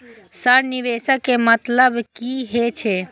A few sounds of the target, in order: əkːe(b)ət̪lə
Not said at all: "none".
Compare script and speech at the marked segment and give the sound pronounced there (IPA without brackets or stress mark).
m